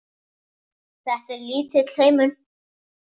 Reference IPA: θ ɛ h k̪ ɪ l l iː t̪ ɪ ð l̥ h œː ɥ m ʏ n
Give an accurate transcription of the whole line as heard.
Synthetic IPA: θ ɛ h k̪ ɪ ɾ l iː t̪ ɪ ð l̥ h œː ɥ m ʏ n